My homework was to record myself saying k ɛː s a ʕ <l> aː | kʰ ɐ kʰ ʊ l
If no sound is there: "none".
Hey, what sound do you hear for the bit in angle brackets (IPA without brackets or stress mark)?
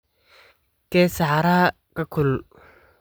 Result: ɾ